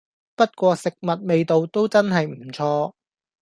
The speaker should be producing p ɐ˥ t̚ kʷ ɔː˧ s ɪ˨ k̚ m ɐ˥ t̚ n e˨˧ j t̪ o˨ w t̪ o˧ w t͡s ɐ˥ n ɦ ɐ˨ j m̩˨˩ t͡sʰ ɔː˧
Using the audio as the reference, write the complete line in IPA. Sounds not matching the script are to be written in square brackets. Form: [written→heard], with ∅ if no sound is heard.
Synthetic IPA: p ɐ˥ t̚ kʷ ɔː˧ s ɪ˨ k̚ m [ɐ˥→ɐ˨] t̚ [n→m] e˨˧ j t̪ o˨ w t̪ [o˧→o˥] w t͡s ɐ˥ n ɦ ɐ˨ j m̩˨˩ t͡sʰ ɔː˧